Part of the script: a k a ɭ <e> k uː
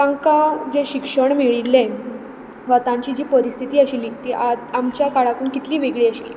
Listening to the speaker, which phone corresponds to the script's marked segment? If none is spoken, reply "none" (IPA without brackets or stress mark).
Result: a